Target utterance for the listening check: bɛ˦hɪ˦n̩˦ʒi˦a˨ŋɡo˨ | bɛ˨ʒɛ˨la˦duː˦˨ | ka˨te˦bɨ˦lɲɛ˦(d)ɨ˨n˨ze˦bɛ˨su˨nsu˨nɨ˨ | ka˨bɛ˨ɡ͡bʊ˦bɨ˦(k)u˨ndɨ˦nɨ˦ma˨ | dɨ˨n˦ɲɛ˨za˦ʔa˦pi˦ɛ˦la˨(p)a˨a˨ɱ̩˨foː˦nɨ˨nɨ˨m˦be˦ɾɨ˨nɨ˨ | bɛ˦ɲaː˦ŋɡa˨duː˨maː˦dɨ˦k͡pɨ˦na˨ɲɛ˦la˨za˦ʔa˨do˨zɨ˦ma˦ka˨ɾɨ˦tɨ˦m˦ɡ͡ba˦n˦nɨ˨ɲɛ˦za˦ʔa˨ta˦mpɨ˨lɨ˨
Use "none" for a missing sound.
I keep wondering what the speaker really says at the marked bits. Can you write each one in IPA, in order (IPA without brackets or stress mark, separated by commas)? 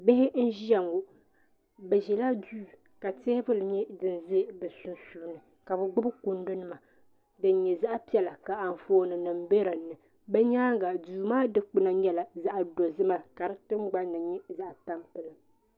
d, k, k